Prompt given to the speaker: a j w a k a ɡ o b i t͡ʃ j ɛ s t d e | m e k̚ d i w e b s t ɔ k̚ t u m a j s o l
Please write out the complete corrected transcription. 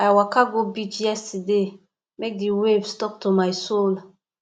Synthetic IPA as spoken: a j w a k a ɡ o b i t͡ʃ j ɛ s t d e | m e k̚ d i w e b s t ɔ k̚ t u m a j s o l